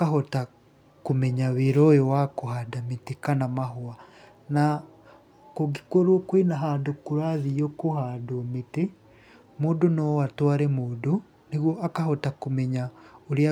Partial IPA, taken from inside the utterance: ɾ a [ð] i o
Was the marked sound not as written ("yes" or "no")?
no